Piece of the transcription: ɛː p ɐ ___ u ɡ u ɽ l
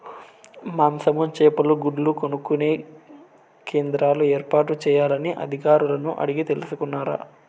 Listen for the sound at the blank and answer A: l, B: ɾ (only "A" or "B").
A